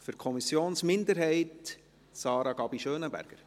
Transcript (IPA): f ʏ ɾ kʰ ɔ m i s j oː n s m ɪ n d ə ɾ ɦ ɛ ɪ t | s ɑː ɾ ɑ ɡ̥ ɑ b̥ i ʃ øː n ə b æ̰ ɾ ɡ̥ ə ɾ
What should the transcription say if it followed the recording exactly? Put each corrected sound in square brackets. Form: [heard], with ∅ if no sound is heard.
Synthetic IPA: f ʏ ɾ kʰ ɔ m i s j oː n s m ɪ n d ə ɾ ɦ ɛ ɪ t | s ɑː ɾ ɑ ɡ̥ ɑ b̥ i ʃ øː n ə b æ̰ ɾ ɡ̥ ə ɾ